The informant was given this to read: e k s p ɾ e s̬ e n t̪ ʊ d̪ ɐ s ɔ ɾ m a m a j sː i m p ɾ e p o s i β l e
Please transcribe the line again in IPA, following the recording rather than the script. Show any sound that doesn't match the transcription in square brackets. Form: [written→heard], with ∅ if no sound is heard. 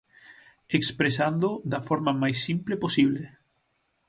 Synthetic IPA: e k s p ɾ e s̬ [e→a] n [t̪→d̪] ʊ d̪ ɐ [s→f] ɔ ɾ m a m a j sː i m p [ɾ→l] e p o s i β l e